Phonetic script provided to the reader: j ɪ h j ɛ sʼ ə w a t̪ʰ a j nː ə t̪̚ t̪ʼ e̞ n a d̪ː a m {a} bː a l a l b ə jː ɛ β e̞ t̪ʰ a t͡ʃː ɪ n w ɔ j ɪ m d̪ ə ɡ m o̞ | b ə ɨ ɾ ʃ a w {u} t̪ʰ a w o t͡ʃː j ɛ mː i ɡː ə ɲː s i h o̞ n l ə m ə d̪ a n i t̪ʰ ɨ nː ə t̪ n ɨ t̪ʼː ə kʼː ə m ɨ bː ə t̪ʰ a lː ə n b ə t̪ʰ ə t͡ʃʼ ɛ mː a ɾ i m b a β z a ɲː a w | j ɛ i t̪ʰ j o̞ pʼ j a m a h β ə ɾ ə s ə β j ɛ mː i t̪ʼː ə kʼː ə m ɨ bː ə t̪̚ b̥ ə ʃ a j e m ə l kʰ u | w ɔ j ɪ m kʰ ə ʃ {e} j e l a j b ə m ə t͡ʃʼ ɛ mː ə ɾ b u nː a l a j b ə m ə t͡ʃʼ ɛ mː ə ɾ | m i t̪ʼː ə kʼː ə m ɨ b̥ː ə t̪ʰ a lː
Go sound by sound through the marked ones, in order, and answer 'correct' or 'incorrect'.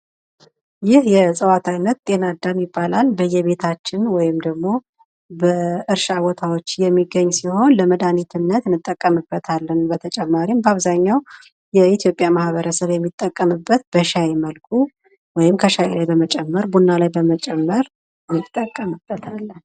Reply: incorrect: i, incorrect: ɔ, incorrect: a

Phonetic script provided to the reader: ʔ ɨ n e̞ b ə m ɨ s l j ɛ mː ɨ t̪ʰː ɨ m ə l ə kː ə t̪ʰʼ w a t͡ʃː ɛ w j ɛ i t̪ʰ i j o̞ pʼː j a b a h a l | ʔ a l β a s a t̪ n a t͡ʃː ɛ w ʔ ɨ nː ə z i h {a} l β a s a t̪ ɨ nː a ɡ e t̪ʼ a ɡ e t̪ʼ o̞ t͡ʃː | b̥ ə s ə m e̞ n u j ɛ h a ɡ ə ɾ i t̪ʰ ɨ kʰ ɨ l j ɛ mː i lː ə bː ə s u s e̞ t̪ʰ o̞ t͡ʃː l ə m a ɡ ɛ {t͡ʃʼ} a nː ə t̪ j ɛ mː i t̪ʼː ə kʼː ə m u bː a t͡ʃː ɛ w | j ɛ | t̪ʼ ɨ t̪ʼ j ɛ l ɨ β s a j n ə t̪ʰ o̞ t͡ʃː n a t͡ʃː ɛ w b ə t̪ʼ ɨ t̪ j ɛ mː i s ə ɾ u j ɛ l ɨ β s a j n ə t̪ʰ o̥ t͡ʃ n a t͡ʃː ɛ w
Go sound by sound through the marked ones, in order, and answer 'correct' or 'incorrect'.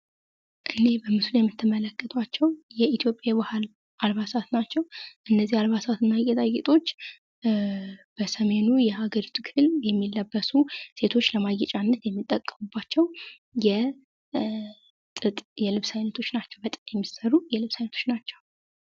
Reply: correct, correct

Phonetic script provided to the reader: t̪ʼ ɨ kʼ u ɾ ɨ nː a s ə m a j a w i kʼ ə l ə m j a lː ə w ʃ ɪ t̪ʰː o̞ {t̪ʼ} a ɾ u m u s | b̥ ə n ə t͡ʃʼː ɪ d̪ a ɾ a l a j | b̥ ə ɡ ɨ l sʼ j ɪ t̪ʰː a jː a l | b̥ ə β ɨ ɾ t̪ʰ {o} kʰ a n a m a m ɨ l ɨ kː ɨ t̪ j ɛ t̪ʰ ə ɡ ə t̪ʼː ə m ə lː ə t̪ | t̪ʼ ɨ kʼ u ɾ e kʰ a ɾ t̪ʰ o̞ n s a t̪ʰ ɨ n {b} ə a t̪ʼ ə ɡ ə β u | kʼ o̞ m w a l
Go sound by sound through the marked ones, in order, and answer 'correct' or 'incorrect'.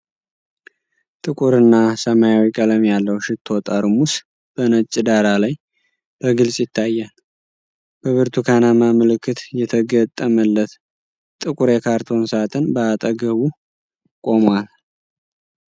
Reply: correct, incorrect: u, correct

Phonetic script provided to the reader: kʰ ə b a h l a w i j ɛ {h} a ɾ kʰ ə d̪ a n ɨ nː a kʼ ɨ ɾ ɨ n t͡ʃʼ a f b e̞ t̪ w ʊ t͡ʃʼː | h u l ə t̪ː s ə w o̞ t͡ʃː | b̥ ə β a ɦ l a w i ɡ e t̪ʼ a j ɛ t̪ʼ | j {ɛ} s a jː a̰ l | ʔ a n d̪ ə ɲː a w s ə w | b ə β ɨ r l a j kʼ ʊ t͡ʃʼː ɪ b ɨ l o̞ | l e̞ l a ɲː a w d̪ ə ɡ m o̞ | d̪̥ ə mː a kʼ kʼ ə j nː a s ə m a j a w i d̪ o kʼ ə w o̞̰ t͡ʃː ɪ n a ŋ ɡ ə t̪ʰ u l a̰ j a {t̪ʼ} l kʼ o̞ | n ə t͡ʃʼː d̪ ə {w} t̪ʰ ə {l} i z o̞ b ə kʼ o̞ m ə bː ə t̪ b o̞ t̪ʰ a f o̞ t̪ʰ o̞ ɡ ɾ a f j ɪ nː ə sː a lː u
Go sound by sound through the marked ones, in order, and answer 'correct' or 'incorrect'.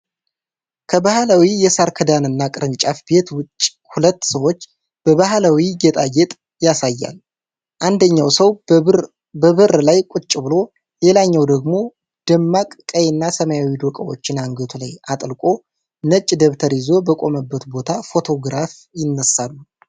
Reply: incorrect: s, incorrect: a, correct, incorrect: β, incorrect: ɾ

